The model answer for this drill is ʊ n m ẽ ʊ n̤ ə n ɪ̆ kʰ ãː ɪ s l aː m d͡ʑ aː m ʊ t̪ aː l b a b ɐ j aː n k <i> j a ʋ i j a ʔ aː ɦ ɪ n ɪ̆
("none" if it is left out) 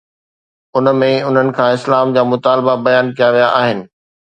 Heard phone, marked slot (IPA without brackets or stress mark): i